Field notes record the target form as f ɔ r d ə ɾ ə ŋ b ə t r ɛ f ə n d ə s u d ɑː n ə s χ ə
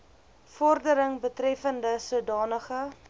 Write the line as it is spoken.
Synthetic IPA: f ɔ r d ə ɾ ə ŋ b ə t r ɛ f ə n d ə s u d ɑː n ə χ ə